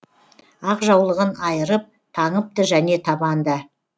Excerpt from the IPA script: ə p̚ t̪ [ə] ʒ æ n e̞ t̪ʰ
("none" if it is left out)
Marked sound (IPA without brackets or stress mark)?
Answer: ə